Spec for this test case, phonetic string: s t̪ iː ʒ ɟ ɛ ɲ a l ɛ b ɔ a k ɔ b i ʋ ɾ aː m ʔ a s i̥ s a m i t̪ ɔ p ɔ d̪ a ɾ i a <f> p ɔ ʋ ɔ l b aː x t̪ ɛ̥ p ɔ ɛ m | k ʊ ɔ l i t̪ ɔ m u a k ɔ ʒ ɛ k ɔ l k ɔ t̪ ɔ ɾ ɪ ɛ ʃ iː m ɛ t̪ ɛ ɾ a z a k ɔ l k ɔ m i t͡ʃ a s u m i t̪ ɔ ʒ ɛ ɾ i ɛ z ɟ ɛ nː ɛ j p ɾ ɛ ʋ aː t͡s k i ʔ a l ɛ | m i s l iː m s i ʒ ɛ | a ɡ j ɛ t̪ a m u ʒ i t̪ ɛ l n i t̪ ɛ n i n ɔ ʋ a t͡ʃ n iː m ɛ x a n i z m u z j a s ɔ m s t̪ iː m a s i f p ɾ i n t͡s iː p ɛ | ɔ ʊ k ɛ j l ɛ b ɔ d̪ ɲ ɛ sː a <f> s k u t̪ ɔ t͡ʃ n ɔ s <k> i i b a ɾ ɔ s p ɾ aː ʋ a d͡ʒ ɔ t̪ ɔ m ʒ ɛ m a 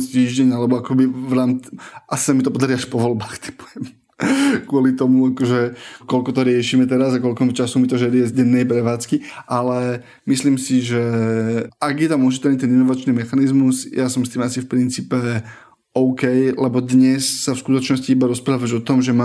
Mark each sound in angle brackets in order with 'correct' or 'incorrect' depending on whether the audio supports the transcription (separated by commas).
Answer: incorrect, correct, incorrect